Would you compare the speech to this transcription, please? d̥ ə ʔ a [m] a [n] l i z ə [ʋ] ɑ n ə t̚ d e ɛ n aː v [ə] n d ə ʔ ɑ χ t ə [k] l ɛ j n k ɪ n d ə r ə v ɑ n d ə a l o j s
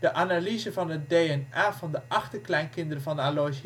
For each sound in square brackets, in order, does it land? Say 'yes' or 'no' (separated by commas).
no, no, no, no, yes